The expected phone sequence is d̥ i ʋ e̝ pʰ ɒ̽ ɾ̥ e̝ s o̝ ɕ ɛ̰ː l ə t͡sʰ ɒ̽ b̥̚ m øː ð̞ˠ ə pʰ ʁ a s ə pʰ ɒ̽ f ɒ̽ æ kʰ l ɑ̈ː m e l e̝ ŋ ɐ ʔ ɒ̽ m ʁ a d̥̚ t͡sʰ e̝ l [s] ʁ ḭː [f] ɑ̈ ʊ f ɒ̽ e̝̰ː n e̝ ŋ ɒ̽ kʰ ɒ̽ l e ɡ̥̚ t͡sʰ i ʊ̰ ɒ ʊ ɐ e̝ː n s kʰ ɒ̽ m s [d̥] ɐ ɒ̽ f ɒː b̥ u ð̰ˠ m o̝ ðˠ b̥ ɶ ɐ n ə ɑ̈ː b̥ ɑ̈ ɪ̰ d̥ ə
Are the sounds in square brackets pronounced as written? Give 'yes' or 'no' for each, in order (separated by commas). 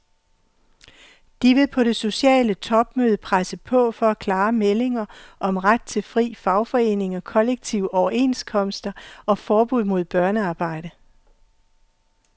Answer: no, yes, yes